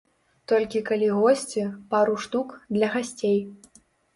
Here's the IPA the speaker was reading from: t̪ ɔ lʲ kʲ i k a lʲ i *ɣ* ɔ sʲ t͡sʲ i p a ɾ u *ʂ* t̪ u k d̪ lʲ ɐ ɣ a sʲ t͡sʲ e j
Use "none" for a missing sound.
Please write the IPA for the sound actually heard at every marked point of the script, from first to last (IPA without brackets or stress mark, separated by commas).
ɣ, ʂ